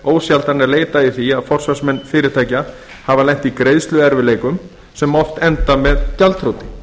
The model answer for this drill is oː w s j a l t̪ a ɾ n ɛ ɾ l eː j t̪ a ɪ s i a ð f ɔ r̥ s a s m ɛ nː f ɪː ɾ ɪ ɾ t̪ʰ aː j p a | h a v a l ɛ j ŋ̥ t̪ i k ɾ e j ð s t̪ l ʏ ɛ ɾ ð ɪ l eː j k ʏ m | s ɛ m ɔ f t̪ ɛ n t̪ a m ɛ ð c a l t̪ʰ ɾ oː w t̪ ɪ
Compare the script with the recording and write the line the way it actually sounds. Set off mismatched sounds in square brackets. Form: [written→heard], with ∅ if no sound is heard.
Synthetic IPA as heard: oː w s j a l t̪ a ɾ n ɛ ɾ l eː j t̪ a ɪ [s→θ] i a ð f ɔ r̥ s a s m ɛ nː f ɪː ɾ ɪ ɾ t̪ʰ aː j [p→c] a | h a v a l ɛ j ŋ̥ t̪ i k ɾ e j ð s t̪ l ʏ ɛ ɾ [ð→v] ɪ l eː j k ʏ m | s ɛ m ɔ f t̪ ɛ n t̪ a m ɛ ð c a l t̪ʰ ɾ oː w t̪ ɪ